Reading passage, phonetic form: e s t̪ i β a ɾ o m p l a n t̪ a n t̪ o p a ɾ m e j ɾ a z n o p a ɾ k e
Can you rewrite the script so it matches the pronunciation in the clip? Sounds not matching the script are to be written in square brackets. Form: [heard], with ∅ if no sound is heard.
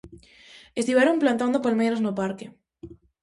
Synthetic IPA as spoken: e s t̪ i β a ɾ o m p l a n t̪ a n [d̪] o p a [l] m e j ɾ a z n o p a ɾ k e